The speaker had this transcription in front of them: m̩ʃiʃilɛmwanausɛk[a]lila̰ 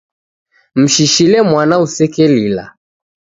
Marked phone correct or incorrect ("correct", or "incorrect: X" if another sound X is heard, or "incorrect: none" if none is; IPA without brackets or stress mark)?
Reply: incorrect: ɛ